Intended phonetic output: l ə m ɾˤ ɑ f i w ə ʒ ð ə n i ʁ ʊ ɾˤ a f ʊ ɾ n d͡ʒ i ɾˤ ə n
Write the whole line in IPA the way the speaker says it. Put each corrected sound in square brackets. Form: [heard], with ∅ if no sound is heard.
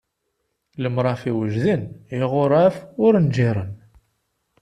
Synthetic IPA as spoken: l ə m ɾˤ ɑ f i w ə ʒ ð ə n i ʁ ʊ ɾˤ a f ʊ ɾ n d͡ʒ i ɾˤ ə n